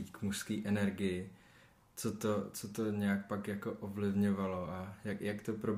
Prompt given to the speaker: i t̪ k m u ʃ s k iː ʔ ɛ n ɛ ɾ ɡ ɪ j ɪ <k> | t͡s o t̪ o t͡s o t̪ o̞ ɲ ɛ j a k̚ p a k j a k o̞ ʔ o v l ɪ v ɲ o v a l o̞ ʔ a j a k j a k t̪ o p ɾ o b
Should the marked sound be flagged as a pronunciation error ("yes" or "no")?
yes